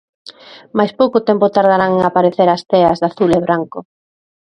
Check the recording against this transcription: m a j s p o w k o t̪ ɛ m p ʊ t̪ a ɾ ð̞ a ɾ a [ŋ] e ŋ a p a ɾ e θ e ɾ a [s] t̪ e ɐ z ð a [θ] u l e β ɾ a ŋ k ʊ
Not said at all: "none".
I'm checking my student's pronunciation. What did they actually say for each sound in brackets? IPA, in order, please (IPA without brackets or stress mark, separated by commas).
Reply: ŋ, s, θ